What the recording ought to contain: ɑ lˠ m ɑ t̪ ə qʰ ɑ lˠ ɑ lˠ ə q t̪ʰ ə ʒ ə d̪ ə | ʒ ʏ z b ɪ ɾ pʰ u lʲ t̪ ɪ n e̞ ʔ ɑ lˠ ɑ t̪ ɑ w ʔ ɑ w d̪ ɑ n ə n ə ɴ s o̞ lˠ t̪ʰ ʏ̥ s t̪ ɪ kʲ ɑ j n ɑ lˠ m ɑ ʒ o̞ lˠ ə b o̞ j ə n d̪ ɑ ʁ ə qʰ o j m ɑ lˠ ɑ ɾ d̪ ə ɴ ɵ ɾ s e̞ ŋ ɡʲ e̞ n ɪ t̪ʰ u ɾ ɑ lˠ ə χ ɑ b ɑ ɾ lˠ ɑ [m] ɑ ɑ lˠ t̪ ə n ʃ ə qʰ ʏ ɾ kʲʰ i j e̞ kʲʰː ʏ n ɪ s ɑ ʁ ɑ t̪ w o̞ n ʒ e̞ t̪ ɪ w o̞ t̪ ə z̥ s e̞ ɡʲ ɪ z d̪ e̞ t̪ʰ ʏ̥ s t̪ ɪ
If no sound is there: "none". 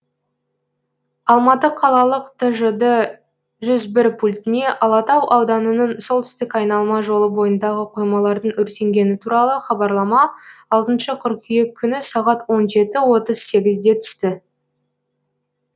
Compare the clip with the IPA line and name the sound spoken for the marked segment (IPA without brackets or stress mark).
m